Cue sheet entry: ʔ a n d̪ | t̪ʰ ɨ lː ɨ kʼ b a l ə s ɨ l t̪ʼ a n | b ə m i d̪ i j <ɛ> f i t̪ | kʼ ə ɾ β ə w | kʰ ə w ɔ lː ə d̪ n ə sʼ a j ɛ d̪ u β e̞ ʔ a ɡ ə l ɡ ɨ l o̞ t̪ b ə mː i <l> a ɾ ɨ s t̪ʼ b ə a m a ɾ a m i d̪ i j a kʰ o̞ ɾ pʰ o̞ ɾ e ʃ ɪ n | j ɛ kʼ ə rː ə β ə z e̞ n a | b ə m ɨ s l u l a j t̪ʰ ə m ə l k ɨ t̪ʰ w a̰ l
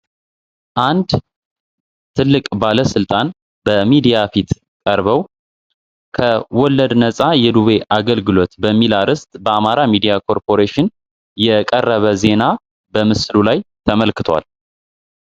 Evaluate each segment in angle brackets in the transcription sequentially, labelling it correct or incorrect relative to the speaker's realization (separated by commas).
incorrect, correct